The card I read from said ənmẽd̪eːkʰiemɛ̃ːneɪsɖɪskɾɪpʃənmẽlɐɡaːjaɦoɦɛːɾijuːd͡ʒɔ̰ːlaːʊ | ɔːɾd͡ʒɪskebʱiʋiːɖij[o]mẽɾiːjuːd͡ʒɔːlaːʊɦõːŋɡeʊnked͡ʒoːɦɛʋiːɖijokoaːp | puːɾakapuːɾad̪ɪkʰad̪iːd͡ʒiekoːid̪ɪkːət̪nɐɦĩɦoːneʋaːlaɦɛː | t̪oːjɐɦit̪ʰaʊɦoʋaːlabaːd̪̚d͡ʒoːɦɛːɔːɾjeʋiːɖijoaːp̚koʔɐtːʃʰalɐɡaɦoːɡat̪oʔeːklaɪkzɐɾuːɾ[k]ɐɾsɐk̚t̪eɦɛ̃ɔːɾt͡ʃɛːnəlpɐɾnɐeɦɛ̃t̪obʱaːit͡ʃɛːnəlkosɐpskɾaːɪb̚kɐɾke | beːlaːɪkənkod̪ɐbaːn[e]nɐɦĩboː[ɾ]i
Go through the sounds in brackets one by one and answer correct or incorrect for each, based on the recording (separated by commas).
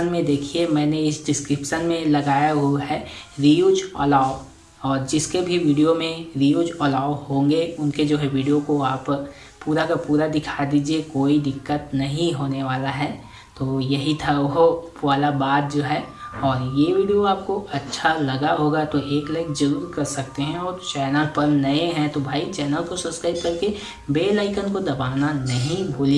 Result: correct, correct, incorrect, incorrect